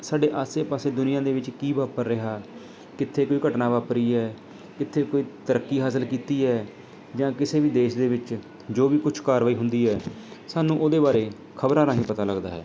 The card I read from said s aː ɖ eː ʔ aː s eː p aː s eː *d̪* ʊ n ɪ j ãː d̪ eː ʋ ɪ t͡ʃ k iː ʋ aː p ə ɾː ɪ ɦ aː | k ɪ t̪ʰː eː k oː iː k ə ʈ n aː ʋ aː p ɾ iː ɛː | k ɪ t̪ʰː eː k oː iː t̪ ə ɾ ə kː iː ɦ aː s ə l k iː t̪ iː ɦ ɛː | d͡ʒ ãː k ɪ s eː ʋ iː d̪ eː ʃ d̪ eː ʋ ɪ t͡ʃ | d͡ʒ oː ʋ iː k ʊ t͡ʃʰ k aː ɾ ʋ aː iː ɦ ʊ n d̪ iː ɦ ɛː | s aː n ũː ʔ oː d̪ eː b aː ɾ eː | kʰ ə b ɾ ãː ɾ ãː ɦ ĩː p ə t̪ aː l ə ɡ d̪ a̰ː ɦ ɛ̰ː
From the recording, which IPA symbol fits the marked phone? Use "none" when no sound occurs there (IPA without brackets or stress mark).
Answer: d̪